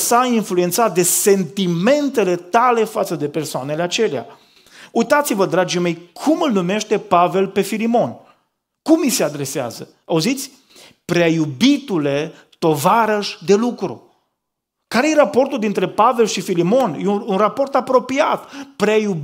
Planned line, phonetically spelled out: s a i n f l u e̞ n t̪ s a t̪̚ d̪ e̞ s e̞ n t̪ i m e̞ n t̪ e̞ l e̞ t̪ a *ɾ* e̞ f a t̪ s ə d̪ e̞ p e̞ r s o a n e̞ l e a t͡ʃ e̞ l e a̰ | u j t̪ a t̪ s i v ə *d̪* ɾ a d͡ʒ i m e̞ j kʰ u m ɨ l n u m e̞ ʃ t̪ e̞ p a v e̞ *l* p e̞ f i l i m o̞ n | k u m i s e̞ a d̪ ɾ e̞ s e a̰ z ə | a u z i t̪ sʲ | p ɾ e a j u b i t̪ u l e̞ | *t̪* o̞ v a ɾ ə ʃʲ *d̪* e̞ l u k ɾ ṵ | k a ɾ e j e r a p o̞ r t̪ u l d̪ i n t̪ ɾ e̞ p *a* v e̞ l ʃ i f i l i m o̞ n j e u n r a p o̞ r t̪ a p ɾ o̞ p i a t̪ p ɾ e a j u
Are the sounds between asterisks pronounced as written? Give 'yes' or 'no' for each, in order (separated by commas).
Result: no, yes, yes, yes, yes, yes